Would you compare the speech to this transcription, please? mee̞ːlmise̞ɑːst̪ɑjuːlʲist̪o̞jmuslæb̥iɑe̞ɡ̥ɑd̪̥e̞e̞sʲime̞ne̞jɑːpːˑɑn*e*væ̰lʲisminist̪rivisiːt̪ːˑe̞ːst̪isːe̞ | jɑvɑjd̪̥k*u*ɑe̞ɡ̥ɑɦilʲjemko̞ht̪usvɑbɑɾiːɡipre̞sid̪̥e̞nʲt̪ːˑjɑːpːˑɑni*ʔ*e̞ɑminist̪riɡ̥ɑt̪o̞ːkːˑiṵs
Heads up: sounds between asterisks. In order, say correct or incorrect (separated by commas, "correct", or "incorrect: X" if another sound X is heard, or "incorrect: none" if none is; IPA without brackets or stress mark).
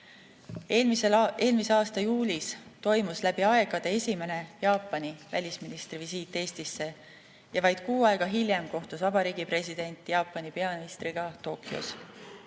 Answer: incorrect: i, incorrect: uː, incorrect: p